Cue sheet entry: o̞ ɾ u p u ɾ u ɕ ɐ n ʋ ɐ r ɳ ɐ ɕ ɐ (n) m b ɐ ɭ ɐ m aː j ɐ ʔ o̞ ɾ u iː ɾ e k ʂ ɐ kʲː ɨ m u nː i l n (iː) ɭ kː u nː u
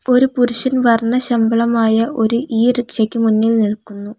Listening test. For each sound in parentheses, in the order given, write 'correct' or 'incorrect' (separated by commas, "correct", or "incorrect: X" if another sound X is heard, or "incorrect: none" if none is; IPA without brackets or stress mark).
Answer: incorrect: none, incorrect: i